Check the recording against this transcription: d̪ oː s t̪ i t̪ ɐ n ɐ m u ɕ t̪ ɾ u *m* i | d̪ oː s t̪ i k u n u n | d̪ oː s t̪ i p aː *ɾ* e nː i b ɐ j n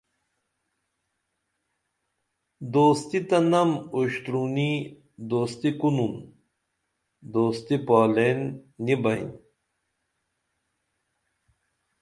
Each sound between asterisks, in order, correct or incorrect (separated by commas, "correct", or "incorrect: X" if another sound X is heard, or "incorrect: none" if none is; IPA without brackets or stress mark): incorrect: n, incorrect: l